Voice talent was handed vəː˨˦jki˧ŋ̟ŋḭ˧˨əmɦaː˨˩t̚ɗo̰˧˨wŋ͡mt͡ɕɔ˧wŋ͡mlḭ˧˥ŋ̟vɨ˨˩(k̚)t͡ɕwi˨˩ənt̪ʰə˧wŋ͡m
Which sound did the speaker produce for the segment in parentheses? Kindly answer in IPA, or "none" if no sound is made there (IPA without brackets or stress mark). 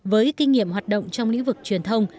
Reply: k̚